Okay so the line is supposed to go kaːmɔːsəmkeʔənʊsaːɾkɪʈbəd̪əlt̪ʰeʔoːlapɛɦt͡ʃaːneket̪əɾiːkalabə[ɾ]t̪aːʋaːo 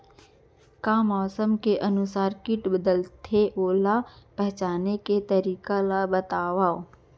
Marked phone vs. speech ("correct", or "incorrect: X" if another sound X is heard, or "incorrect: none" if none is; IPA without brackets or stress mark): incorrect: none